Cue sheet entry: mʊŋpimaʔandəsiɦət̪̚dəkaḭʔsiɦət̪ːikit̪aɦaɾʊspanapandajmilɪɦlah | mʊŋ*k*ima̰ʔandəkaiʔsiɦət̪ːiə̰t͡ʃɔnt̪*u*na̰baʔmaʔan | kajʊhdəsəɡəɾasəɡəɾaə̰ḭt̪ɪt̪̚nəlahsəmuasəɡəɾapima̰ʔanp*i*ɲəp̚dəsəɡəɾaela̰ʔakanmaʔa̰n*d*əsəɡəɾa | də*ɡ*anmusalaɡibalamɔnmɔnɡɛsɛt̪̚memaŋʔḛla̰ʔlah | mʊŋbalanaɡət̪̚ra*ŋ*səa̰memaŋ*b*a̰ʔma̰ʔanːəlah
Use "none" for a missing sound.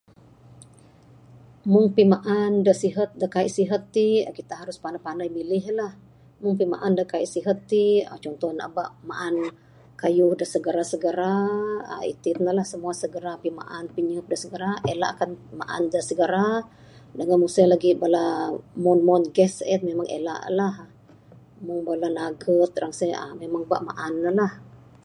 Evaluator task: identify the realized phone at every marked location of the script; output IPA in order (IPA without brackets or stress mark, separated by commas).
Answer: p, ɔ, i, d, ŋ, ŋ, b